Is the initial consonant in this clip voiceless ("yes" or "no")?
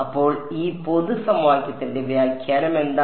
yes